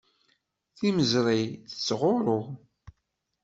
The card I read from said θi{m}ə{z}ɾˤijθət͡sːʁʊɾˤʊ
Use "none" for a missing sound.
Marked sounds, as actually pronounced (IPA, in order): m, z

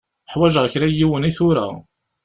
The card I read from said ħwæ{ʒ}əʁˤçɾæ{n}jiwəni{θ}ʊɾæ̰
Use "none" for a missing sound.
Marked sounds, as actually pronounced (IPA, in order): ʒ, none, θ

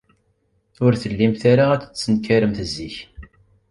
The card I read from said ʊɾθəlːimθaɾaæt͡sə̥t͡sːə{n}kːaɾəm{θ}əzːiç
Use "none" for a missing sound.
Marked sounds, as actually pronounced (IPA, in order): n, θ

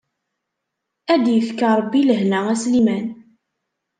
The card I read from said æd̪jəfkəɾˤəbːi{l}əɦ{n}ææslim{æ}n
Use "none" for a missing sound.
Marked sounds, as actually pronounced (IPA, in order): l, n, æ

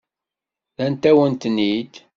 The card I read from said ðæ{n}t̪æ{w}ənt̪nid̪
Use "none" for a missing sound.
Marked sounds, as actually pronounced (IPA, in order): n, w

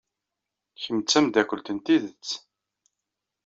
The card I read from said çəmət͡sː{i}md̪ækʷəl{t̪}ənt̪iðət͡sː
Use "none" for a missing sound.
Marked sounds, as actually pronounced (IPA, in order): æ, t̪

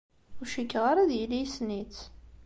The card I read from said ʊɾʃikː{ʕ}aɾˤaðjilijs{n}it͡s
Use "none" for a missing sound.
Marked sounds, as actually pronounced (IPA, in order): ʁ, n

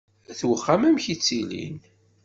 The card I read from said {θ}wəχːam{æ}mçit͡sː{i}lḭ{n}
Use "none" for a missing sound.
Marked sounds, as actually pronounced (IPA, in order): θ, æ, i, n

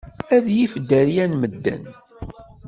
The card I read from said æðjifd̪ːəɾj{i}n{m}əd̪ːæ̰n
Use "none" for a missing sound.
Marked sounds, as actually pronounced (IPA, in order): æ, m

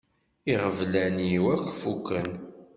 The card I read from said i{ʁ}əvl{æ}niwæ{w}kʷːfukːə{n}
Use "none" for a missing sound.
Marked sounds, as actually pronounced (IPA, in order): ʁ, æ, none, n

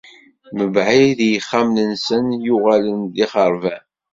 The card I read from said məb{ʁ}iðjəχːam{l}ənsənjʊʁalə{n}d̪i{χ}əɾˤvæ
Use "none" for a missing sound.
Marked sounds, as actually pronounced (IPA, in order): ʕ, l, n, χ

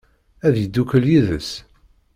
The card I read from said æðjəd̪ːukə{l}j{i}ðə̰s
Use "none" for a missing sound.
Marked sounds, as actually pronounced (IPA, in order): l, i

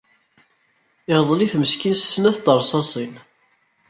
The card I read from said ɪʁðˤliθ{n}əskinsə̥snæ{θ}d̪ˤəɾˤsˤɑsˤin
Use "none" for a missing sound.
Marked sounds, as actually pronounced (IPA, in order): m, θ

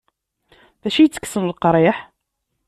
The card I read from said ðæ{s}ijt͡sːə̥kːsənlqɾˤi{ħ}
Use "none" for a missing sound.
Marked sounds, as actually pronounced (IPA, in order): ʃ, ħ

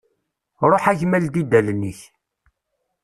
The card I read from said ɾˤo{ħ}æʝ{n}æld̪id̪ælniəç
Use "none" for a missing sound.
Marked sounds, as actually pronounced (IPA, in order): ħ, m

